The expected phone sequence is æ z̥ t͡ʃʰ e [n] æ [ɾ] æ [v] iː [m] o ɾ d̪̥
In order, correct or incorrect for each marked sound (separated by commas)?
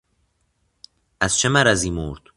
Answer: incorrect, correct, incorrect, correct